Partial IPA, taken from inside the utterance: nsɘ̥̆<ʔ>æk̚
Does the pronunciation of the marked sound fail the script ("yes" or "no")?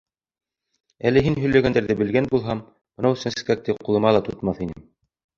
yes